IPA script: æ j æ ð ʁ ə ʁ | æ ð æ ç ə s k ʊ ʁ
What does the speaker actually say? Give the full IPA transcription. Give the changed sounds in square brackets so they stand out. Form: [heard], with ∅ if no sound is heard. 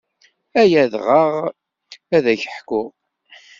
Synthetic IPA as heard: æ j æ ð ʁ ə ʁ | æ ð æ ç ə [ħ] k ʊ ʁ